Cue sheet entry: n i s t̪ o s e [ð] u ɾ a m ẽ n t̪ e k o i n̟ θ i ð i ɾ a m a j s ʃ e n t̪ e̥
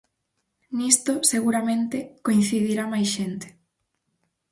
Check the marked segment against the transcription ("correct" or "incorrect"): incorrect